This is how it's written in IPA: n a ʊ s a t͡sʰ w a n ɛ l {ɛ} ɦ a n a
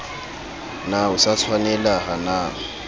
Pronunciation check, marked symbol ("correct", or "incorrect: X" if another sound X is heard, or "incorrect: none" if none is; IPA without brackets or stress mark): incorrect: a